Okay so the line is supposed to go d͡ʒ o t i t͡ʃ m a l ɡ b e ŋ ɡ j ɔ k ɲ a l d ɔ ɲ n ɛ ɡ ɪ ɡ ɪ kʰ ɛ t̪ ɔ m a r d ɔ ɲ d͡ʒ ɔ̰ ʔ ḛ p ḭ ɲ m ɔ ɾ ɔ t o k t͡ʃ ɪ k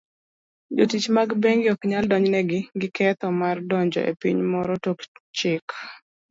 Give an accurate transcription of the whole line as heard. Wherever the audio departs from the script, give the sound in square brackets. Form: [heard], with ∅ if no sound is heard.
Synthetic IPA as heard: d͡ʒ o t i t͡ʃ m a [∅] ɡ b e ŋ ɡ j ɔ k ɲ a l d ɔ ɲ n ɛ ɡ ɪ ɡ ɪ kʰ ɛ t̪ ɔ m a r d ɔ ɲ d͡ʒ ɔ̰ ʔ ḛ p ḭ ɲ m ɔ ɾ ɔ t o k t͡ʃ ɪ k